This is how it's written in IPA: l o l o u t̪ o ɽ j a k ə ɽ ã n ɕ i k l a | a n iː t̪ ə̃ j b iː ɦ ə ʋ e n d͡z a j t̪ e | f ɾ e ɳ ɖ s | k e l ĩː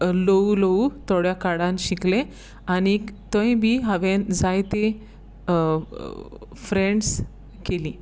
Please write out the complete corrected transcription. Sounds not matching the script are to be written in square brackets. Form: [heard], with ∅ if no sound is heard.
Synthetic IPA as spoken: l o l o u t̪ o ɽ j a k [a] ɽ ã n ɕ i k l [e] | a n [i] t̪ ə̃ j b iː ɦ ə ʋ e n d͡z a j t̪ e | f ɾ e ɳ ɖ s | k e l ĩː